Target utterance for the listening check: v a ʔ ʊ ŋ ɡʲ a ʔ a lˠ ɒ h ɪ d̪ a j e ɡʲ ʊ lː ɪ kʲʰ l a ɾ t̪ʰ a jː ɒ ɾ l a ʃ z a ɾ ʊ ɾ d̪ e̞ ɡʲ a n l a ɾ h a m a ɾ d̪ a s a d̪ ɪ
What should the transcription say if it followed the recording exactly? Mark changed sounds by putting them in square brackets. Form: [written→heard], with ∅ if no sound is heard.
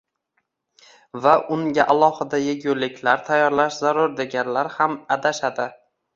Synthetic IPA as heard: v a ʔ ʊ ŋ ɡʲ a ʔ a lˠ ɒ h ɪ d̪ a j e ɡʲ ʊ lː ɪ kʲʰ l a ɾ t̪ʰ a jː ɒ ɾ l a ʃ z a ɾ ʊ ɾ d̪ e̞ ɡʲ a n l a ɾ h a m a [ɾ→∅] d̪ a [s→ʃ] a d̪ ɪ